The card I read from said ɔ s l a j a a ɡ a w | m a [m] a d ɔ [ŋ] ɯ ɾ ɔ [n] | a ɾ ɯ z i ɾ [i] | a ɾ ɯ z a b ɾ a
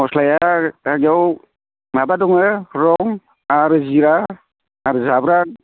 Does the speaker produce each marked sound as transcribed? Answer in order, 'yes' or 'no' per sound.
no, yes, no, no

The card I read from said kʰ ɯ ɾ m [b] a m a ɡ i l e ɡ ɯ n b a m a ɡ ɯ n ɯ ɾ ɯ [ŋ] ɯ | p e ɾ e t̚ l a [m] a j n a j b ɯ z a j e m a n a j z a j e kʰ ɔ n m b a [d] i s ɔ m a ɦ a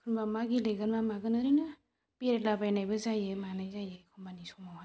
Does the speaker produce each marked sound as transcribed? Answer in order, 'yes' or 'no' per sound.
yes, no, no, no

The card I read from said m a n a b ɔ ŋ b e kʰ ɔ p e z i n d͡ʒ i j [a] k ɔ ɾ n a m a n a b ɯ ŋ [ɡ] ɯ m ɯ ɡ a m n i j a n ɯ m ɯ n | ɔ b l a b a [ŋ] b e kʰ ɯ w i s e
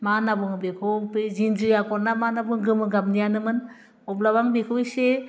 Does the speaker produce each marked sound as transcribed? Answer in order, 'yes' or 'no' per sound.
yes, yes, yes

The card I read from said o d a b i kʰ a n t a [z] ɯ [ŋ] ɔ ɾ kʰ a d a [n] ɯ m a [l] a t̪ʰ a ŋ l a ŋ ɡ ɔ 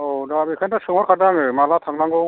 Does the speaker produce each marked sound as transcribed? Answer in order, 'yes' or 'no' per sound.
no, yes, no, yes

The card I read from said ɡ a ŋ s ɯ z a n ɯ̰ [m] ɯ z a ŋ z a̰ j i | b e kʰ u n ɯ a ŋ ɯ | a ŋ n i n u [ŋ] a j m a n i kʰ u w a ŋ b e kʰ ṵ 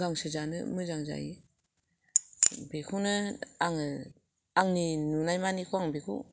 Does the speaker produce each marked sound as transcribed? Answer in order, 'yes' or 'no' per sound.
yes, no

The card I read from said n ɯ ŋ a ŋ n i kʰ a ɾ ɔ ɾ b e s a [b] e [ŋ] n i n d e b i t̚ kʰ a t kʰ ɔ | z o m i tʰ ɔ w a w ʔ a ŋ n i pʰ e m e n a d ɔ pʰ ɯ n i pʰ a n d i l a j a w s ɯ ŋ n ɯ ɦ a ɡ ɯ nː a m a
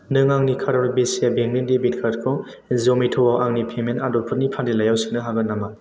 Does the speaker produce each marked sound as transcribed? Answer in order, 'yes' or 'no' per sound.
yes, yes

